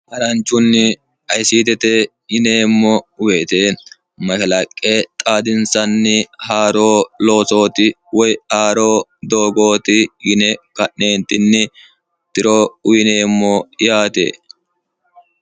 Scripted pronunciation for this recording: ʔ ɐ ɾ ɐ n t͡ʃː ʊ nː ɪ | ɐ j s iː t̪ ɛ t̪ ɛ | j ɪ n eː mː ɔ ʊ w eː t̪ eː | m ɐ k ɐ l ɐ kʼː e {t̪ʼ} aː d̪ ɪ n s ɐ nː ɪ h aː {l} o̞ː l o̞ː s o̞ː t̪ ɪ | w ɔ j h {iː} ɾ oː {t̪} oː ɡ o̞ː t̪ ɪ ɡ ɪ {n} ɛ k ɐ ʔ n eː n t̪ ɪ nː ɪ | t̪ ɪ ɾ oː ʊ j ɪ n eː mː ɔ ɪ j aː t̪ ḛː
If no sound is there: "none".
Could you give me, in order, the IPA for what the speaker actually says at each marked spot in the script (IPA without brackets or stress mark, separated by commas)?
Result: t̪ʼ, ɾ, aː, d̪, n